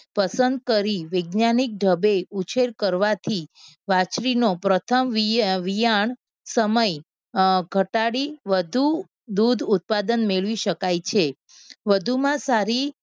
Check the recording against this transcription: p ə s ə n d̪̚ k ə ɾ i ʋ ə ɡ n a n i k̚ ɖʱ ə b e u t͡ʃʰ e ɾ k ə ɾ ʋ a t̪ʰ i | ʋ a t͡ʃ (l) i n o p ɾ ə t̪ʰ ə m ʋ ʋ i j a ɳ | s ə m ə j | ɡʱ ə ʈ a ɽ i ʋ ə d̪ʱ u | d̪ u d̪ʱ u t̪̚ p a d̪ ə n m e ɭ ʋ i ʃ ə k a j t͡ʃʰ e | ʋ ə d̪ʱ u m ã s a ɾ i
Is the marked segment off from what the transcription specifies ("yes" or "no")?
yes